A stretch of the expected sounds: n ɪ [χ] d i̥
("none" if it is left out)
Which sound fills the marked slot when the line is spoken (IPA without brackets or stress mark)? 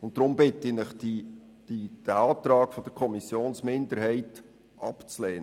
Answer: χ